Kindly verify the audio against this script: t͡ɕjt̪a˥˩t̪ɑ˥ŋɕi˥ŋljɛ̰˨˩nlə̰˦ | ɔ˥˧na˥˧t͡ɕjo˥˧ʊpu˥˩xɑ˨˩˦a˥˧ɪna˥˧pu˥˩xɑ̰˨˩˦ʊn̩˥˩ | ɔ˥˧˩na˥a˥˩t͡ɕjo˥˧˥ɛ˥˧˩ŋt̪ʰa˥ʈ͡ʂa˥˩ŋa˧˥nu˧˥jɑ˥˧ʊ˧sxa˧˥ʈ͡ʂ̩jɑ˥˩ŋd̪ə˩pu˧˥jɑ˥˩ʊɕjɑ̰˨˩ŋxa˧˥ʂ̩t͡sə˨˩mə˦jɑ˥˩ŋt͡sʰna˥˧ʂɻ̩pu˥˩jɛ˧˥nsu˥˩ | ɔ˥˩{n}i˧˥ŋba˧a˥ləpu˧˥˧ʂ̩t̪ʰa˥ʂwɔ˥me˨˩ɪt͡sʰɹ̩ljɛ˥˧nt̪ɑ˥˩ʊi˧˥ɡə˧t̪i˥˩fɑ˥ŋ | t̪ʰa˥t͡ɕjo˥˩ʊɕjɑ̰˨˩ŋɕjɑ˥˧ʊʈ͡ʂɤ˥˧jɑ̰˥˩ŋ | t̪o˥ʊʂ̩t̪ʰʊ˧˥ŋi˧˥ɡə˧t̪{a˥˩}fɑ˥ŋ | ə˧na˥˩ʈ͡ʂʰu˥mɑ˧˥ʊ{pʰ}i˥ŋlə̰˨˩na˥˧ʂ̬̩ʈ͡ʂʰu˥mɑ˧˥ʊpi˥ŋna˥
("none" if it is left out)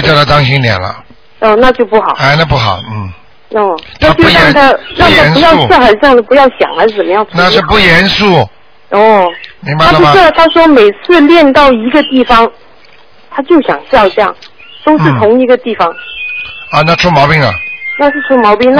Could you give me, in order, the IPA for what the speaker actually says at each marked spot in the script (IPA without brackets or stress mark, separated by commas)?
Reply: m, i˥˩, p